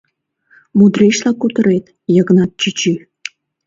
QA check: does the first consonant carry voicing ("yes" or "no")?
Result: yes